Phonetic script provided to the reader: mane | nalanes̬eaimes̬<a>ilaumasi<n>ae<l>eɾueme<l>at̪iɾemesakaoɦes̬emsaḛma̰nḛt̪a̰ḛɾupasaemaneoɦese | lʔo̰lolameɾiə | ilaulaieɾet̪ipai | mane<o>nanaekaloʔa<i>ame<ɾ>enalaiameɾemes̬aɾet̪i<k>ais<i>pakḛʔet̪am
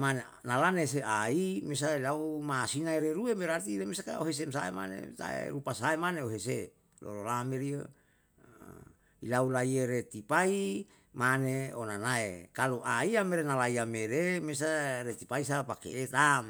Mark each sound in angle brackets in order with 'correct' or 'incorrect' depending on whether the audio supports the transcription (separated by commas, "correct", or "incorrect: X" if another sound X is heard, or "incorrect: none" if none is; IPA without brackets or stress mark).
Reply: correct, correct, incorrect: ɾ, incorrect: ɾ, correct, correct, correct, incorrect: p, incorrect: a